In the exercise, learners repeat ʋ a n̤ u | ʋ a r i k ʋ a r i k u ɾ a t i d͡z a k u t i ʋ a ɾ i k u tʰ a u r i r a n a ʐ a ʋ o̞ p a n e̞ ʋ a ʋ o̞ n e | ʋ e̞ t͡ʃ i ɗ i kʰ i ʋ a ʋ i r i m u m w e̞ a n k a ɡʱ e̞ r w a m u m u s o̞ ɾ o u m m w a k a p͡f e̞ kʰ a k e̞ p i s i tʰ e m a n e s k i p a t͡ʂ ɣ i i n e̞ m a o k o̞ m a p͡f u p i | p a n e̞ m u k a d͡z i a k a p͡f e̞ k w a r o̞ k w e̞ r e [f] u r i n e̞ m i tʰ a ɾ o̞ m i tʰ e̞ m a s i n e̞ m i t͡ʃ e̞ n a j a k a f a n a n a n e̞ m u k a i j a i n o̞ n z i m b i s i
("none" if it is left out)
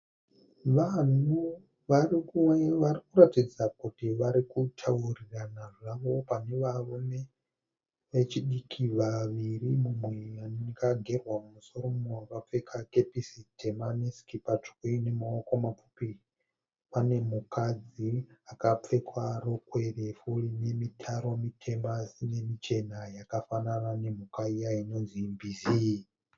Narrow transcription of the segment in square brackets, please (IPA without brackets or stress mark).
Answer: f